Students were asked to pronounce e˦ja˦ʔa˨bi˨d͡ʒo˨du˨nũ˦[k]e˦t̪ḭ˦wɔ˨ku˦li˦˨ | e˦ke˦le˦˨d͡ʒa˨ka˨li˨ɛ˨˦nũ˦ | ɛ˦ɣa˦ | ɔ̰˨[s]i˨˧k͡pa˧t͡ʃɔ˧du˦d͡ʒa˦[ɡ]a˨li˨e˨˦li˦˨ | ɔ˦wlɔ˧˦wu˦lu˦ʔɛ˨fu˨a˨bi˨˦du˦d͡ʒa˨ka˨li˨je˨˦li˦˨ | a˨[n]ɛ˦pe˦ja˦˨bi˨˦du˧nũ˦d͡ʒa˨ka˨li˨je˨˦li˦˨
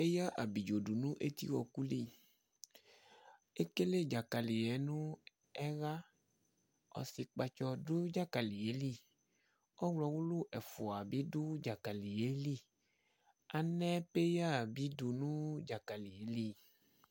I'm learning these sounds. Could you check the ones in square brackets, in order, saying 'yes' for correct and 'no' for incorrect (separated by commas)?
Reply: no, yes, no, yes